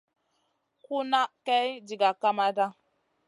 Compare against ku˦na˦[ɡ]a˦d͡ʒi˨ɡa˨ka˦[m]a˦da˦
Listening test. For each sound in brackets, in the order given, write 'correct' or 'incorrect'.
incorrect: k, correct

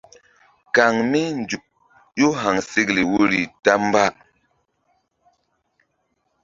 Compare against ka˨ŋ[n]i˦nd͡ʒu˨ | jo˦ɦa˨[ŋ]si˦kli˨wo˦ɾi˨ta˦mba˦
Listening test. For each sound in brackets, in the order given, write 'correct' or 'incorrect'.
incorrect: m, correct

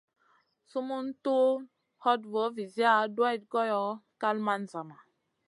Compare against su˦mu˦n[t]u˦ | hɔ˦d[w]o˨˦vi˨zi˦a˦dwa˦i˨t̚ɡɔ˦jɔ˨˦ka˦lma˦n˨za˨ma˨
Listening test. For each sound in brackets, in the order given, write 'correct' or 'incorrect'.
correct, incorrect: v

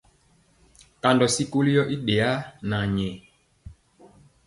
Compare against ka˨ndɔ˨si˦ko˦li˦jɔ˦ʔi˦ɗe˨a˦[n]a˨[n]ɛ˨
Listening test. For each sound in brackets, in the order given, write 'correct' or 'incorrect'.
correct, incorrect: ɲ

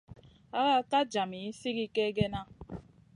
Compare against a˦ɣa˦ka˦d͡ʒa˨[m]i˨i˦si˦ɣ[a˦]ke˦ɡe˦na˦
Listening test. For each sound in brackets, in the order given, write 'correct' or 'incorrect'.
correct, incorrect: i˦

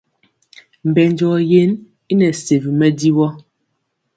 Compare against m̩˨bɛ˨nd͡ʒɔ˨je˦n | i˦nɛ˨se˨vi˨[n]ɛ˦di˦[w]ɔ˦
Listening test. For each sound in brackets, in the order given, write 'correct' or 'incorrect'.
incorrect: m, correct

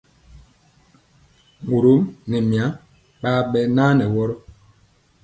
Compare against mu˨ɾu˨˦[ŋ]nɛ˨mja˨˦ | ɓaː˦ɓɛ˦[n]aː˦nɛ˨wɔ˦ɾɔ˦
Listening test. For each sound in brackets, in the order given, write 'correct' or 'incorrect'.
incorrect: m, correct

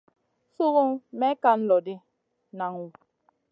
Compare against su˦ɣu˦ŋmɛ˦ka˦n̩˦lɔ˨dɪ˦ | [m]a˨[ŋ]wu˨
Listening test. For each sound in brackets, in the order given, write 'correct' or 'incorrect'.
incorrect: n, correct

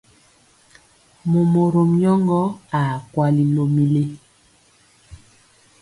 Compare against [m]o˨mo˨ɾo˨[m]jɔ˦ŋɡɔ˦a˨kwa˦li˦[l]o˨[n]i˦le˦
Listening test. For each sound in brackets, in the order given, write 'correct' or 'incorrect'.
correct, correct, correct, incorrect: m

